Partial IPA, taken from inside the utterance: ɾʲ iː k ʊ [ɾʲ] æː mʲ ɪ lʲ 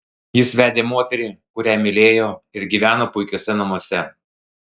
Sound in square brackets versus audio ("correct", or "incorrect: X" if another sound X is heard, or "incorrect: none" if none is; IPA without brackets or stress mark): correct